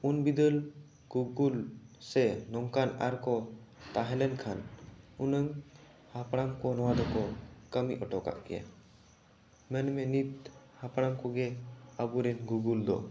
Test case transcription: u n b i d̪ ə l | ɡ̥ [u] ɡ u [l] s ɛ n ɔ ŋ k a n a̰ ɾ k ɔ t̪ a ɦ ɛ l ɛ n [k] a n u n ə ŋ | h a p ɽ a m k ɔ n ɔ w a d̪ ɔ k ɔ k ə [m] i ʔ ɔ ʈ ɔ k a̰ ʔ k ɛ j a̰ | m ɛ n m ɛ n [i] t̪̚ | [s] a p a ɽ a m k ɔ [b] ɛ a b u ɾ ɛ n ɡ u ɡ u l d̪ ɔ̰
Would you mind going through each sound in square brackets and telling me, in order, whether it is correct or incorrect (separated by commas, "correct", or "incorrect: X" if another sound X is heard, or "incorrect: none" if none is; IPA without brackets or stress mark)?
correct, correct, incorrect: kʰ, correct, correct, incorrect: h, incorrect: ɡ